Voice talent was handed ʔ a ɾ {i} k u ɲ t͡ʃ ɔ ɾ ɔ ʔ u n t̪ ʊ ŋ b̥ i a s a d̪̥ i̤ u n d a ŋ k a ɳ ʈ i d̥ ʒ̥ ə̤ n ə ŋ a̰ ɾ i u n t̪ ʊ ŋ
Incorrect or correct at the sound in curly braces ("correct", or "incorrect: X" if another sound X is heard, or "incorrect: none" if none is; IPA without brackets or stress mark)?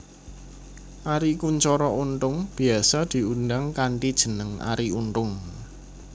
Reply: correct